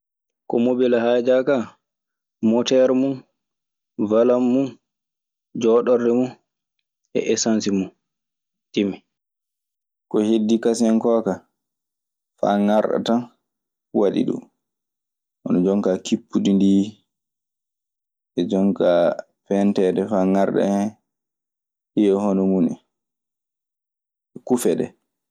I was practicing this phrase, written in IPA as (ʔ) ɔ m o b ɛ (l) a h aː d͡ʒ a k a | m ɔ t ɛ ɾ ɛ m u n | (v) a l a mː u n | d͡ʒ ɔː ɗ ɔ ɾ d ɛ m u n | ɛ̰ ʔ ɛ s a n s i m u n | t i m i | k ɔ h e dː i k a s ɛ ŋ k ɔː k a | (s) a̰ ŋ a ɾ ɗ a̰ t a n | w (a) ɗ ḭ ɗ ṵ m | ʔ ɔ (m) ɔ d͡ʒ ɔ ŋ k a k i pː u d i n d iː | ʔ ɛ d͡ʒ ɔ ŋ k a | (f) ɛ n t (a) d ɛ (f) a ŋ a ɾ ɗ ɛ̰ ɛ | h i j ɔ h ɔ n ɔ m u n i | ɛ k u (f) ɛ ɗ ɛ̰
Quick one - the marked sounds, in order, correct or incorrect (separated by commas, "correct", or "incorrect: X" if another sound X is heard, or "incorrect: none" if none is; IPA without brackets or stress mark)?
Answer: incorrect: k, correct, correct, incorrect: f, correct, incorrect: n, correct, incorrect: ɛ, correct, correct